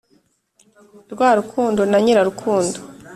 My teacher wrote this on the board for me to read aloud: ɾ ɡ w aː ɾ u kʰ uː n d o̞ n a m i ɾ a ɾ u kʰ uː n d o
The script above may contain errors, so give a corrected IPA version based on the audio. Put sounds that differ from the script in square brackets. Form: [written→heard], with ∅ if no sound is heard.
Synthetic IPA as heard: ɾ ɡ w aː ɾ u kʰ uː n d o̞ n a [m→ɲ] i ɾ a ɾ u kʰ uː n d o